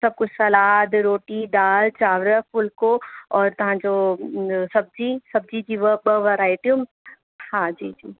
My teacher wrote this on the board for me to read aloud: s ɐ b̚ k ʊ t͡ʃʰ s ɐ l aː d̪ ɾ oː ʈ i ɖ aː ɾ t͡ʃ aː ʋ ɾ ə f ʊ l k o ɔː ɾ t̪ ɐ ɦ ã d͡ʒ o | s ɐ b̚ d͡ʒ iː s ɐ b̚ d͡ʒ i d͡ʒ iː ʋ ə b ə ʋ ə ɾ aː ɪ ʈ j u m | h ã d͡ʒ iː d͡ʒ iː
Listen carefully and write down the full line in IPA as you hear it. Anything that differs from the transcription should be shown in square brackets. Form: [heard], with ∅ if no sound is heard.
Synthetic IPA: s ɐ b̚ k ʊ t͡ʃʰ s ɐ l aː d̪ ɾ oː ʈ i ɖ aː [l] t͡ʃ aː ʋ ɾ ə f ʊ l k o ɔː ɾ t̪ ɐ ɦ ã d͡ʒ o | s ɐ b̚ d͡ʒ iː s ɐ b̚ d͡ʒ i d͡ʒ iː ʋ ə b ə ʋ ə ɾ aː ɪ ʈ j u m | h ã d͡ʒ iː d͡ʒ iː